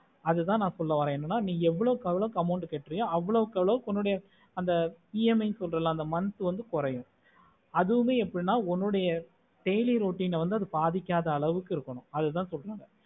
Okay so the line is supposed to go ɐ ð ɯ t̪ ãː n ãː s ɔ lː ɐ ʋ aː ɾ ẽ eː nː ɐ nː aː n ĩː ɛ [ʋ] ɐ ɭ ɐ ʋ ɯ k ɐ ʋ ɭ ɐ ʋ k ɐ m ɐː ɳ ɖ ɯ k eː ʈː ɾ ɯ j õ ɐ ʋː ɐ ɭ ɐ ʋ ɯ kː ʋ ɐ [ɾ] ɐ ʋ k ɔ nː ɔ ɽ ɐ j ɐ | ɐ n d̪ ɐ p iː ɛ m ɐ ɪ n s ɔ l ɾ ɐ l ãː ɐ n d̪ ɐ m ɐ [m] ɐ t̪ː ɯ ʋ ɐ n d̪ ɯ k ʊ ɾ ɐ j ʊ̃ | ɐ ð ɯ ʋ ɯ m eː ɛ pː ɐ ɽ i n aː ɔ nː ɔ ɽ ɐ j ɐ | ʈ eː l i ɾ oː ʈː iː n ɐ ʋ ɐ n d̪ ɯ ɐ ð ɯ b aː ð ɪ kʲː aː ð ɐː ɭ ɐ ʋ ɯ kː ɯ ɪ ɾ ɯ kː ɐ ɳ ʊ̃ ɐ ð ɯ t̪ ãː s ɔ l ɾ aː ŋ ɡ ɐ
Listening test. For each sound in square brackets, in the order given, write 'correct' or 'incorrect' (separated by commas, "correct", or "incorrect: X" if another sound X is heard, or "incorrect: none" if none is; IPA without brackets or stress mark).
incorrect: ʋː, incorrect: ɭ, incorrect: n